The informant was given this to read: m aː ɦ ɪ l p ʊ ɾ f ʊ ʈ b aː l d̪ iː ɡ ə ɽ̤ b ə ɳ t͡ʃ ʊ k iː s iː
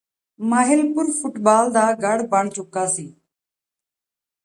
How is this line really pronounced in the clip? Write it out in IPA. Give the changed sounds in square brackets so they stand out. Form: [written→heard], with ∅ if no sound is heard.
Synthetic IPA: m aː ɦ ɪ l p ʊ ɾ f ʊ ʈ b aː l d̪ [iː→aː] ɡ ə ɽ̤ b ə ɳ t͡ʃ ʊ k [iː→aː] s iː